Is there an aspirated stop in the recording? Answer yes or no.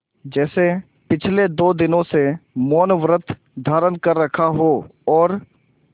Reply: yes